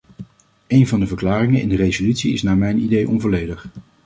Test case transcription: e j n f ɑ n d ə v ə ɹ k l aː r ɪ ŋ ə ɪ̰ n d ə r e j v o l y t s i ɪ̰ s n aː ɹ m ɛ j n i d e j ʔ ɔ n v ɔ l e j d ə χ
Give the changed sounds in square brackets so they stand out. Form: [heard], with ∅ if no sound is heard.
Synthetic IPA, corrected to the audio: e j n [v] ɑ n d ə v ə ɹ k l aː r ɪ ŋ ə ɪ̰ n d ə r e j [z] o l y t s i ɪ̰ s n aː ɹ m ɛ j n i d e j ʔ ɔ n v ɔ l e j d ə χ

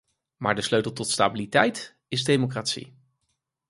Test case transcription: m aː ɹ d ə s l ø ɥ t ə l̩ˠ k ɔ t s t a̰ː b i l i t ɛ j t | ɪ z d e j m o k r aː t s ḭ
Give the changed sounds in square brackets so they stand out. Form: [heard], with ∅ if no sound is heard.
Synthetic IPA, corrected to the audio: m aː ɹ d ə s l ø ɥ t ə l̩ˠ [t] ɔ t s t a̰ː b i l i t ɛ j t | ɪ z d e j m o k r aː t s ḭ

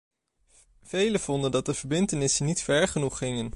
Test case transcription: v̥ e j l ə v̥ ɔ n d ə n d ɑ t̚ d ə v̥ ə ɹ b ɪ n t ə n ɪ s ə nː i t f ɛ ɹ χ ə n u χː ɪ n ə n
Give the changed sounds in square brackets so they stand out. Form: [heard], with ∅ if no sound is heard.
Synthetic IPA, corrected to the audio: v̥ e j l ə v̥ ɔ n d ə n d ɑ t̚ d ə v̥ ə ɹ b ɪ n t ə n ɪ s ə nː i t f ɛ ɹ χ ə n u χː ɪ [ŋ] ə n

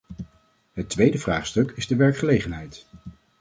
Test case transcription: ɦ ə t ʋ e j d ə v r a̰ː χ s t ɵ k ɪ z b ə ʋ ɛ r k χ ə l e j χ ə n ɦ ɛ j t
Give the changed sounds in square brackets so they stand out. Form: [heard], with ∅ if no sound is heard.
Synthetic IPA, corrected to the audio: ɦ ə t ʋ e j d ə v r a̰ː χ s t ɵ k ɪ z [d] ə ʋ ɛ [ɹ] k χ ə l e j χ ə n ɦ ɛ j t

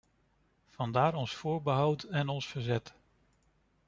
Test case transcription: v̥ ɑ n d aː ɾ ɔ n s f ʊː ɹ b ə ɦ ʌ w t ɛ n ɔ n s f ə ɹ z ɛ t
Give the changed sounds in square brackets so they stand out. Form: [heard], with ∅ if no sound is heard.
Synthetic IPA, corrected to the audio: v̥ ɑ n d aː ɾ ɔ n s f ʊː ɹ b ə ɦ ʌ w t ɛ n ɔ n s f ə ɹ z ɛ t

